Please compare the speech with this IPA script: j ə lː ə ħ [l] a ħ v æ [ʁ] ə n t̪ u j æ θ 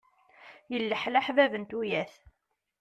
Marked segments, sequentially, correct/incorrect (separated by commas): correct, incorrect